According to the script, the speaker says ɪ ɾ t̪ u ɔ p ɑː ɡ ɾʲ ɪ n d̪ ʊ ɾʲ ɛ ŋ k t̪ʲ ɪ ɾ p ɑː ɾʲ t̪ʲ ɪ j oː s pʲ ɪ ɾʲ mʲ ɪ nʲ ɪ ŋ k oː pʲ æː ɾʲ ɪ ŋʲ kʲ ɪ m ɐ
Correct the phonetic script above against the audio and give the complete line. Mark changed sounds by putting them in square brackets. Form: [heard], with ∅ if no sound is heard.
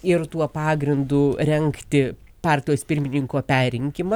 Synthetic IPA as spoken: ɪ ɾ t̪ u ɔ p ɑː ɡ ɾʲ ɪ n d̪ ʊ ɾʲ ɛ ŋ k t̪ʲ ɪ [∅] p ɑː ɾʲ t̪ʲ ɪ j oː s pʲ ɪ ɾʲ mʲ ɪ nʲ ɪ ŋ k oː pʲ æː ɾʲ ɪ ŋʲ kʲ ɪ m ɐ